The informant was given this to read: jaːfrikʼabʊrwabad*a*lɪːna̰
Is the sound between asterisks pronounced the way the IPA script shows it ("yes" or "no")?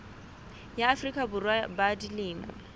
no